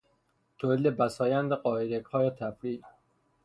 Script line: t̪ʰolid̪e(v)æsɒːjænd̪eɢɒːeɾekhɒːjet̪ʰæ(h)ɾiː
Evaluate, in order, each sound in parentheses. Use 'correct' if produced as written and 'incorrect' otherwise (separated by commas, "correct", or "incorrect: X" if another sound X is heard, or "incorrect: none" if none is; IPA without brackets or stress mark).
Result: incorrect: b, incorrect: f